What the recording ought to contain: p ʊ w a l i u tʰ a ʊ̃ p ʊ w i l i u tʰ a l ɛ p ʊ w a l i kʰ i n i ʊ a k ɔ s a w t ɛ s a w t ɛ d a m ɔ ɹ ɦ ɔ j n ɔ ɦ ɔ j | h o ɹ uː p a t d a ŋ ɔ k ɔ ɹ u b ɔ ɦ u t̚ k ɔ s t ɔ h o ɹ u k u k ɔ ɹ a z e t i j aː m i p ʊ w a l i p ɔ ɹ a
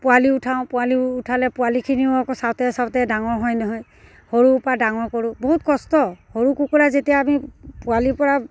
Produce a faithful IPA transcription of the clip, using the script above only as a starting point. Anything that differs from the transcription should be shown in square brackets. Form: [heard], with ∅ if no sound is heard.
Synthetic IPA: p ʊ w a l i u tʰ a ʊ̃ p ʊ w [a] l i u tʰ a l ɛ p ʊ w a l i kʰ i n i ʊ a k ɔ s a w t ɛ s a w t ɛ d a [ŋ] ɔ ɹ ɦ ɔ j n ɔ ɦ ɔ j | h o ɹ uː p a [∅] d a ŋ ɔ k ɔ ɹ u b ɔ ɦ u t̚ k ɔ s t ɔ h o ɹ u k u k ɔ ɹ a z e t i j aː m i p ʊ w a l i p ɔ ɹ a